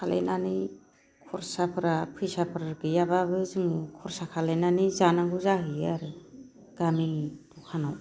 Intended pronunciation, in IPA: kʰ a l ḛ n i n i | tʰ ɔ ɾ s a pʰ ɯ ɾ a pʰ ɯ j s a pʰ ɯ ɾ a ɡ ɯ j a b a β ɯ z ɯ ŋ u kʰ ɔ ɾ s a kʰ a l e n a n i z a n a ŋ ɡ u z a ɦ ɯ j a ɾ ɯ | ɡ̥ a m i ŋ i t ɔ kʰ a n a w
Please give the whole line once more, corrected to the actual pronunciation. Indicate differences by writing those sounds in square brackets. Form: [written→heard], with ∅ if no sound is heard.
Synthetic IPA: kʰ a l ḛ n [i→a] n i | [tʰ→kʰ] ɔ ɾ s a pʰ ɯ ɾ a pʰ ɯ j s a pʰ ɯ ɾ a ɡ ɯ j a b a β ɯ z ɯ ŋ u kʰ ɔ ɾ s a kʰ a l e n a n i z a n a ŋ ɡ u z a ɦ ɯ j a ɾ ɯ | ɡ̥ a m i ŋ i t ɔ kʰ a n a w